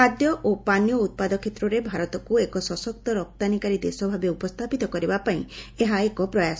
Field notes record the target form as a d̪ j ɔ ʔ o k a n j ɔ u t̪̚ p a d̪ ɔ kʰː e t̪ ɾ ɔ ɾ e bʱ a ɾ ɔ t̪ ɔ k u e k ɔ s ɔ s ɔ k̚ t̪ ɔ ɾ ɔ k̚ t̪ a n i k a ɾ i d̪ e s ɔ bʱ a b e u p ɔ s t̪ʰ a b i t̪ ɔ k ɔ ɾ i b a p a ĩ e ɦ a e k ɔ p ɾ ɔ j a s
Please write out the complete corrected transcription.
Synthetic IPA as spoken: a d̪ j ɔ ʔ o p a n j ɔ u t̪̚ p a d̪ ɔ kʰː e t̪ ɾ ɔ ɾ e bʱ a ɾ ɔ t̪ ɔ k u e k ɔ s ɔ s ɔ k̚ t̪ ɔ ɾ ɔ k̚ t̪ a n i k a ɾ i d̪ e s ɔ bʱ a b e u p ɔ s t̪ʰ a p i t̪ ɔ k ɔ ɾ i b a p a ĩ e ɦ a e k ɔ p ɾ ɔ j a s